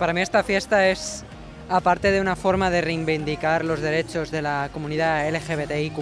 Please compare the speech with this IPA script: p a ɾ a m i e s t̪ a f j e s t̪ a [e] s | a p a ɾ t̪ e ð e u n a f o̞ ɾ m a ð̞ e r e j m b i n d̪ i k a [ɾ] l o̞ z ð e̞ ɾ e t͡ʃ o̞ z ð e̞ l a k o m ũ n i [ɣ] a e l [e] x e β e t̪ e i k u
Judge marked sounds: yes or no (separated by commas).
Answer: yes, yes, no, yes